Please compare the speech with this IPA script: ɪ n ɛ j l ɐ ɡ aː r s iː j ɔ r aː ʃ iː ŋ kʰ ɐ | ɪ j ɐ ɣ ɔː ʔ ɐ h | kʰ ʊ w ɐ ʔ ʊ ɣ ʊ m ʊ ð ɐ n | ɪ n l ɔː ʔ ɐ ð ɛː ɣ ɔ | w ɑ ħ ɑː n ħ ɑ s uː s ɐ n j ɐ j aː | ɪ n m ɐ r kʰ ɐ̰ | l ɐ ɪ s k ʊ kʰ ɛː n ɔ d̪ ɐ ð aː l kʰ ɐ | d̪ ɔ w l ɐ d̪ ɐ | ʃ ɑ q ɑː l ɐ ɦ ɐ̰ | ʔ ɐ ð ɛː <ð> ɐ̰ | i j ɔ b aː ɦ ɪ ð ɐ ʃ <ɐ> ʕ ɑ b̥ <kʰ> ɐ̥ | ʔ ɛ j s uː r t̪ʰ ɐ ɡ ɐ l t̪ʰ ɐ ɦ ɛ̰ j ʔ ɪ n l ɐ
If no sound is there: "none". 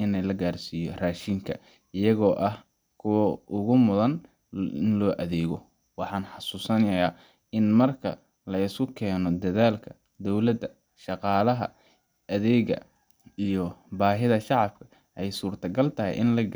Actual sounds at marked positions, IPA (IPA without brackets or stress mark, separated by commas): ɣ, ɑ, kʰ